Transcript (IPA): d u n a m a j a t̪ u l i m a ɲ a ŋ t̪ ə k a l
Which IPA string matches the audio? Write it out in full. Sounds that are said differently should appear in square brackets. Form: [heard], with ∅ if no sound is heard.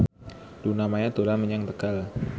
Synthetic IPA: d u n a m a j a t̪ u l [a] m [ə] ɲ a ŋ t̪ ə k a l